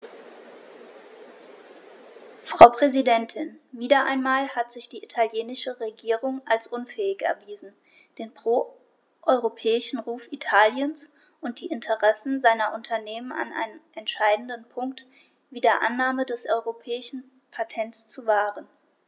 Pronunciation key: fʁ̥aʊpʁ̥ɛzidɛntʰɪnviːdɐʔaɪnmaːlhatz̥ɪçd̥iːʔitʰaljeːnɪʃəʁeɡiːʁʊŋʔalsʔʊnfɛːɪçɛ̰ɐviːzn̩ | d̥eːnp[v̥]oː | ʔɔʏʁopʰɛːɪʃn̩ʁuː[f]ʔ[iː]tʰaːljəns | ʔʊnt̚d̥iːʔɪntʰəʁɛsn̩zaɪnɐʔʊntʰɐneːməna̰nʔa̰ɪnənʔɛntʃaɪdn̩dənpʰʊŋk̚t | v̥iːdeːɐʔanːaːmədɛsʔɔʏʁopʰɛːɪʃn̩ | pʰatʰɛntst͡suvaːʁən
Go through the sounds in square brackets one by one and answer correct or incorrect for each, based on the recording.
incorrect, correct, incorrect

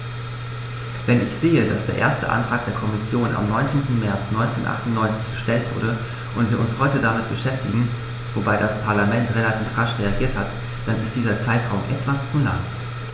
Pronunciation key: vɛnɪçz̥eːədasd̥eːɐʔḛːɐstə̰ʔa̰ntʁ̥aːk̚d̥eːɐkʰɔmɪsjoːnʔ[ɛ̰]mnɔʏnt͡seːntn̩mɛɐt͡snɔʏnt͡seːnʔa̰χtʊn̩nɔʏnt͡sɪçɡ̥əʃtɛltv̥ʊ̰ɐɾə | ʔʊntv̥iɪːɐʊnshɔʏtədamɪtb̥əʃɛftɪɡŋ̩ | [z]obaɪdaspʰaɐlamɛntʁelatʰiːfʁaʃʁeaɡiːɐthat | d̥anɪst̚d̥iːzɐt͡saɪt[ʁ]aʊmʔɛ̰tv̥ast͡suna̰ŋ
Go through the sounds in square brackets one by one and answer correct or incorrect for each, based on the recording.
incorrect, incorrect, correct

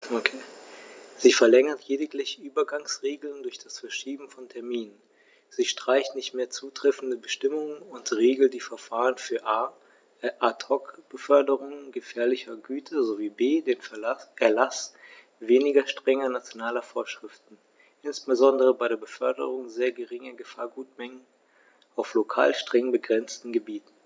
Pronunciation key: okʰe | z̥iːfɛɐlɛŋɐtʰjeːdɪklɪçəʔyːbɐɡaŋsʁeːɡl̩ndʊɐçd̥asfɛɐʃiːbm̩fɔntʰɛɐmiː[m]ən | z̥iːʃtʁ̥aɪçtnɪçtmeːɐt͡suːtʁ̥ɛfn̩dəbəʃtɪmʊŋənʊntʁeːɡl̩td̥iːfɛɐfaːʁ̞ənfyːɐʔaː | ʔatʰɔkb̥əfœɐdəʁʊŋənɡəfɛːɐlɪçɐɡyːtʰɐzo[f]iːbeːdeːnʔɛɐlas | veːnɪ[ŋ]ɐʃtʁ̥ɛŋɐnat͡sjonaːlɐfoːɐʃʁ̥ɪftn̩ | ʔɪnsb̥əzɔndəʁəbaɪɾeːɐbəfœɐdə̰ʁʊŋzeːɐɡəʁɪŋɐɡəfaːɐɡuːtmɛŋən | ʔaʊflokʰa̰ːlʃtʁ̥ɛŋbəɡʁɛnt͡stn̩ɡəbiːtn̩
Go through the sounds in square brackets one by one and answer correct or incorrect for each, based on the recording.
incorrect, incorrect, incorrect

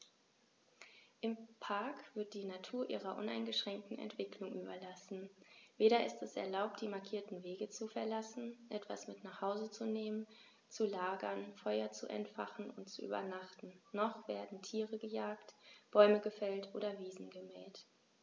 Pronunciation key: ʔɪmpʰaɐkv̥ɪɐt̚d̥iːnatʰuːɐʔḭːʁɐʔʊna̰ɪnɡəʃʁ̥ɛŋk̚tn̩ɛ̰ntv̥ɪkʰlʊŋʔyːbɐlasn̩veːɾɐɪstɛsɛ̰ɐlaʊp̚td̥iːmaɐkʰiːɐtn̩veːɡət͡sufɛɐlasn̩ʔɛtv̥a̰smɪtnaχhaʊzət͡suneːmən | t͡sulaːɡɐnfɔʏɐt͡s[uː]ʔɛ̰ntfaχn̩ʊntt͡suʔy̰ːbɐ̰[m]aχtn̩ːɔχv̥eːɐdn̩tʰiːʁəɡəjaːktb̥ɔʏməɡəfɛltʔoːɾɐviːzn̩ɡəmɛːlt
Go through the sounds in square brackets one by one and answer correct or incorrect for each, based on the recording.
incorrect, incorrect

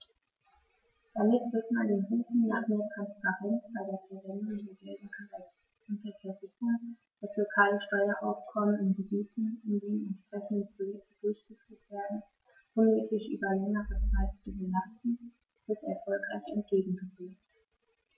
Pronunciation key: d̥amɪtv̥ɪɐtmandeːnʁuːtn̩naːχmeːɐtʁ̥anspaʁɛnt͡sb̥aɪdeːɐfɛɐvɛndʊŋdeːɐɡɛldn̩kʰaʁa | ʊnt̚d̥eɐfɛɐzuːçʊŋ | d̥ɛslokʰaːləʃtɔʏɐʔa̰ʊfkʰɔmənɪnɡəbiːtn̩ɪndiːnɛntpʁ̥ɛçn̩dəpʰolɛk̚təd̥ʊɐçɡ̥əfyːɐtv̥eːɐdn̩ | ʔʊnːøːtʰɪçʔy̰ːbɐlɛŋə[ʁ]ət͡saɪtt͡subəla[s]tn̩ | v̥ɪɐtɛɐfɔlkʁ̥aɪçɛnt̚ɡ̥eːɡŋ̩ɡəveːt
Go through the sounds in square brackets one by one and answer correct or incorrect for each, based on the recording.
correct, correct

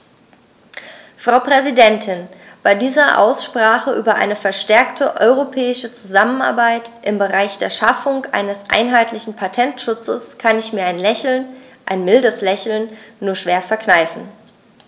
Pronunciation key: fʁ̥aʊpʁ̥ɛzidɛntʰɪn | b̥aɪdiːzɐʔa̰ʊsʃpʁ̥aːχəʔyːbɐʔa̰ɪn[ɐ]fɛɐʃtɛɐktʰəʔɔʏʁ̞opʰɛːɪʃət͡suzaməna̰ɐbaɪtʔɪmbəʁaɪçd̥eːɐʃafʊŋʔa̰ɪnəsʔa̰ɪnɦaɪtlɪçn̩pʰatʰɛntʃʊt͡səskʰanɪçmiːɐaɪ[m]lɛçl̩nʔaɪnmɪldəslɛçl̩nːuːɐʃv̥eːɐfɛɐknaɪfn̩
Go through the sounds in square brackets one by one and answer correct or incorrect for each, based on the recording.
incorrect, incorrect

